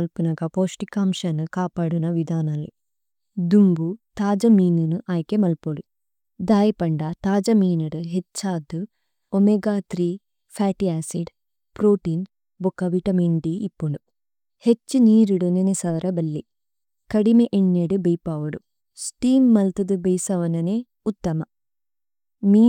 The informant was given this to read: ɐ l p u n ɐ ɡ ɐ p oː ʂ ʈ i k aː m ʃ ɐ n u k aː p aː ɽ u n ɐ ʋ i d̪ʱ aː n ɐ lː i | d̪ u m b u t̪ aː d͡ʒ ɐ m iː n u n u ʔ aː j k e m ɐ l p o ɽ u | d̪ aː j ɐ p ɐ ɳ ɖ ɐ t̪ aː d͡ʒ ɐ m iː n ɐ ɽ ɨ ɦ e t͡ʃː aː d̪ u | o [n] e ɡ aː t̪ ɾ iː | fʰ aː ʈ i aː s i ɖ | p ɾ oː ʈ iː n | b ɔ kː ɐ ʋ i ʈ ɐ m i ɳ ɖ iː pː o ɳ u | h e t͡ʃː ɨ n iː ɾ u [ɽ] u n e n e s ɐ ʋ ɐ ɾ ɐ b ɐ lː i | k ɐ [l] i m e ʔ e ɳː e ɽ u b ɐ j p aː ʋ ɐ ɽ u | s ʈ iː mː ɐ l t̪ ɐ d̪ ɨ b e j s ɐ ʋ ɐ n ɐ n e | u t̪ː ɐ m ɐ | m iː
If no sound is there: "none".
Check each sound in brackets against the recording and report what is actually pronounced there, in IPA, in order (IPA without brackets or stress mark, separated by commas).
m, ɽ, ɽ